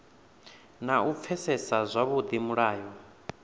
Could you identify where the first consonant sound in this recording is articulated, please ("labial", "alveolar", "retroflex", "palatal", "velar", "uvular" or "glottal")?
alveolar